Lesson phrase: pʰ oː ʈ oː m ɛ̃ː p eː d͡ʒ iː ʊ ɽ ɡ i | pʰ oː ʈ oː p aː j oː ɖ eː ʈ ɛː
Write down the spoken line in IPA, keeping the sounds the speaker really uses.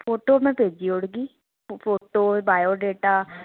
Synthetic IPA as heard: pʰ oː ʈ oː m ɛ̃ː p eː d͡ʒ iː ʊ ɽ ɡ iː | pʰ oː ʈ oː b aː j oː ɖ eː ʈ aː